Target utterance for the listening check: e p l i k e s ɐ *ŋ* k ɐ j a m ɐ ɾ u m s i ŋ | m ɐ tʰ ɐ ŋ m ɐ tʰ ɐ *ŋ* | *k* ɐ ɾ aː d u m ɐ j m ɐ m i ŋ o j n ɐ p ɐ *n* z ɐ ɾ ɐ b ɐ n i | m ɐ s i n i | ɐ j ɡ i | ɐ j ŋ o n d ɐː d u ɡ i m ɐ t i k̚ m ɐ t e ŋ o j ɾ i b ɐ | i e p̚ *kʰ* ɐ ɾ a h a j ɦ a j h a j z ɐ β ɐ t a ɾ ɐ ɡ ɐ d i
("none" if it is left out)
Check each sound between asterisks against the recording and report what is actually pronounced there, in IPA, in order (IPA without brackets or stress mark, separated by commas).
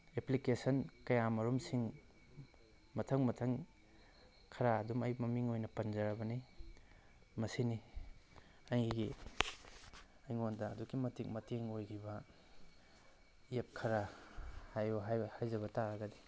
n, ŋ, kʰ, n, kʰ